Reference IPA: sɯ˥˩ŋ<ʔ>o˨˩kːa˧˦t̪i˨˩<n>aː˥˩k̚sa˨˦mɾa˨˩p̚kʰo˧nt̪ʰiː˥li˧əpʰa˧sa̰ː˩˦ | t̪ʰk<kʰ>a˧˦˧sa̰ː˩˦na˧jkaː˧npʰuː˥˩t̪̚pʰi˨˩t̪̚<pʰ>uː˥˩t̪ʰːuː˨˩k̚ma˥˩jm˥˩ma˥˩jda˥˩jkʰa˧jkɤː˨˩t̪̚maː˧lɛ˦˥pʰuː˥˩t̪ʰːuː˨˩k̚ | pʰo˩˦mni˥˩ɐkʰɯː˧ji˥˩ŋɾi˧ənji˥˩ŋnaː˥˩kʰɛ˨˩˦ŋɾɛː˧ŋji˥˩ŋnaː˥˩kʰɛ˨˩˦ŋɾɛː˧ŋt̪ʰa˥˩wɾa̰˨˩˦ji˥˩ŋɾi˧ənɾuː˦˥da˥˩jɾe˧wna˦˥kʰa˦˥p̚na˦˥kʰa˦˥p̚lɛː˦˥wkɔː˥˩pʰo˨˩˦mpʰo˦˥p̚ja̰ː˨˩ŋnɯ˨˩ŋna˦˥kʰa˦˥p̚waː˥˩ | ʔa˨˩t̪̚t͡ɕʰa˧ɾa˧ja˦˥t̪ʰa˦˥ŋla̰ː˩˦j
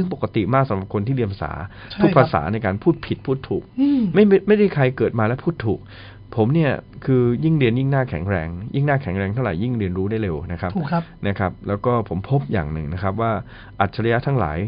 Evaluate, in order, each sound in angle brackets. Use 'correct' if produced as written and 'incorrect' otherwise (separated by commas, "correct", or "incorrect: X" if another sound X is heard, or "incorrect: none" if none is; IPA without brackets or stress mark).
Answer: incorrect: p, incorrect: m, incorrect: pʰ, correct